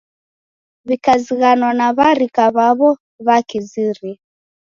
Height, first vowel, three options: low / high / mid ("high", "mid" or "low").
high